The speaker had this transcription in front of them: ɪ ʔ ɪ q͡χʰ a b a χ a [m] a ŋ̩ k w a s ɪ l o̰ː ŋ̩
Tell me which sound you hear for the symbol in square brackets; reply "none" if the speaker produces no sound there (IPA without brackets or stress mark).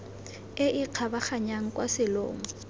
ɲ